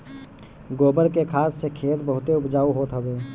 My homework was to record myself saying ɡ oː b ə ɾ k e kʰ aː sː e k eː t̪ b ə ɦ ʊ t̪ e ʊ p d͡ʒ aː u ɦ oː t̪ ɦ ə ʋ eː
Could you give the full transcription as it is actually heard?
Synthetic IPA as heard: ɡ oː b ə ɾ k e kʰ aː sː e kʰ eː t̪ b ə ɦ ʊ t̪ e ʊ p d͡ʒ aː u ɦ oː t̪ ɦ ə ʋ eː